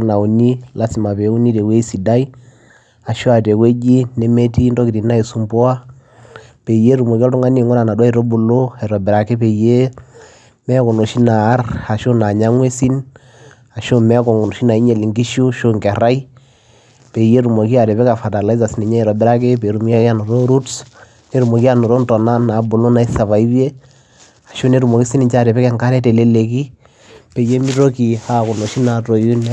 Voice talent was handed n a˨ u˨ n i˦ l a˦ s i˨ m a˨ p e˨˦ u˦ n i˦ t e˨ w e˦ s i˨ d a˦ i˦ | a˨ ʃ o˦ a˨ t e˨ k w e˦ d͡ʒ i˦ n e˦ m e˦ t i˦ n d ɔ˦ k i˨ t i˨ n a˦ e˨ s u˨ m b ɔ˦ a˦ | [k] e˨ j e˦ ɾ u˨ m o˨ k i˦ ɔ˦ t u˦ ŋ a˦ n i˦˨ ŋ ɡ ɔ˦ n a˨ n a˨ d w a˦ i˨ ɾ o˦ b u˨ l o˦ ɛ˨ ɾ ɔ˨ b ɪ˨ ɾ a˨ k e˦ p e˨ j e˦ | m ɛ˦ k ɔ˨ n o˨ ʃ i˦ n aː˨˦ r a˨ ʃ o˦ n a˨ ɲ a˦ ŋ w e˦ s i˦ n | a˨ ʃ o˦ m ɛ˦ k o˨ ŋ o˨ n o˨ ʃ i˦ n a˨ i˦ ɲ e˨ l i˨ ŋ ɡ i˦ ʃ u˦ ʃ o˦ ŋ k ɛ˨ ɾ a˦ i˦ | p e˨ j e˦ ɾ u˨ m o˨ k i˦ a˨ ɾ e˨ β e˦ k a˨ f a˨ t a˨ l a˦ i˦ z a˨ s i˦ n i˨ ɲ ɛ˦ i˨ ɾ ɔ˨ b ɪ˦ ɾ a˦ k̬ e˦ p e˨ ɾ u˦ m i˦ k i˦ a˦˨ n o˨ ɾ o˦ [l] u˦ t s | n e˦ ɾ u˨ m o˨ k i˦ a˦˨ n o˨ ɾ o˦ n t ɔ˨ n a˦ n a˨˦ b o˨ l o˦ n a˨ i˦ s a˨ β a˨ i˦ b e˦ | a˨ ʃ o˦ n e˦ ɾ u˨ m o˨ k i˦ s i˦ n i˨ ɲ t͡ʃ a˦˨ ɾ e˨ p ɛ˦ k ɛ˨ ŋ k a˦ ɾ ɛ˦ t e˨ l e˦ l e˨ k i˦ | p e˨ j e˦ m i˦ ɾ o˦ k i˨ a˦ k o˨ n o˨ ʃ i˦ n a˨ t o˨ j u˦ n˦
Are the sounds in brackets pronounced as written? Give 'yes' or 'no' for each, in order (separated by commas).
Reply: no, no